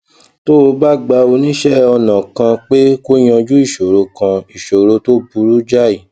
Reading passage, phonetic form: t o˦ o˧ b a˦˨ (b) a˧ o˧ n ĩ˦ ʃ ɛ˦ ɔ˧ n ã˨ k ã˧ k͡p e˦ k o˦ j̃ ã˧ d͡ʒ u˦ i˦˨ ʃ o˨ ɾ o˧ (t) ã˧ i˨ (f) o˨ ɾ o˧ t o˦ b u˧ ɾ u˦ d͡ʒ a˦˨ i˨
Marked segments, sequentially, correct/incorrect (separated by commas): incorrect, incorrect, incorrect